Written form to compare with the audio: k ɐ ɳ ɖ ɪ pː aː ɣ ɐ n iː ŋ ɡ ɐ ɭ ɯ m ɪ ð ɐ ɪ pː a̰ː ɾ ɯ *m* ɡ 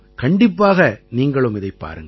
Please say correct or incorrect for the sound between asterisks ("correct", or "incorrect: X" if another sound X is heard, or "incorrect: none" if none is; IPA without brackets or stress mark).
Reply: incorrect: ŋ